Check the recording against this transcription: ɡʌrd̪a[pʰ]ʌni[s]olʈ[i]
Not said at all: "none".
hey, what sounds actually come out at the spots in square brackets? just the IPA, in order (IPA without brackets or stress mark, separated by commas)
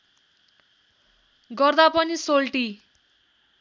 p, s, i